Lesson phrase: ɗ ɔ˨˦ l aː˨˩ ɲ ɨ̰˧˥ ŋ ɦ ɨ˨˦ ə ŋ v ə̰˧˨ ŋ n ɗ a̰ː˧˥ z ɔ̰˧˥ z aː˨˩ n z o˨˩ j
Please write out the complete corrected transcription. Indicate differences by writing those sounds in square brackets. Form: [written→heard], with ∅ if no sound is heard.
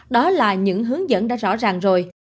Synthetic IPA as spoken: ɗ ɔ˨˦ l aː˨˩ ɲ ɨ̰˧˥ ŋ ɦ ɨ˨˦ ə ŋ [v→z] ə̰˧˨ [ŋ→∅] n ɗ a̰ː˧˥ z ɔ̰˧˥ z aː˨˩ [n→ŋ] z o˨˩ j